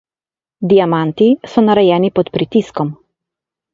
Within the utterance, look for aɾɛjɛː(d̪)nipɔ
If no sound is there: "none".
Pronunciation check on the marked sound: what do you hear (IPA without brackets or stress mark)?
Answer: none